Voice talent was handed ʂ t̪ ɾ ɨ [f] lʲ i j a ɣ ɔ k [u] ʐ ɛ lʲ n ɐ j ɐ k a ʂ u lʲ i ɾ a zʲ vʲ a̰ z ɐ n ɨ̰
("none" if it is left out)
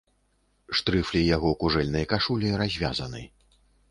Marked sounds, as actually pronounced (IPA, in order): f, u

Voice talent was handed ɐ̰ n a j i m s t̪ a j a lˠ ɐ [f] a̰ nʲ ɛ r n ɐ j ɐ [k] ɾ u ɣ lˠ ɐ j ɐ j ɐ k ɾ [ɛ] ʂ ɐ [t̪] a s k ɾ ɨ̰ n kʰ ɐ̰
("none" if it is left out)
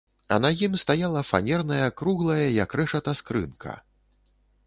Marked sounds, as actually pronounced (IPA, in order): f, k, ɛ, t̪

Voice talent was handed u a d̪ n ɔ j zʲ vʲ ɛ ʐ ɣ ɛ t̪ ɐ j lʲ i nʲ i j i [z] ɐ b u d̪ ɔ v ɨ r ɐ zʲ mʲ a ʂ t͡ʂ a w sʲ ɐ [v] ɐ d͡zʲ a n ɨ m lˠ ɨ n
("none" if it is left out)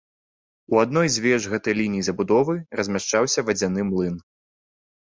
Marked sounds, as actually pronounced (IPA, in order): z, v

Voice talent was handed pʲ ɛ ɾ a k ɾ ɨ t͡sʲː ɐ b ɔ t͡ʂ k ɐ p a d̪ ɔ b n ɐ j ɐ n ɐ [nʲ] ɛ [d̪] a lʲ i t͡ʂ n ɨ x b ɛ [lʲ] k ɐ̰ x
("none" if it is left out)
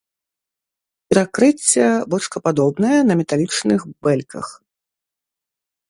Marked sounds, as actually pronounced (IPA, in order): mʲ, t̪, lʲ

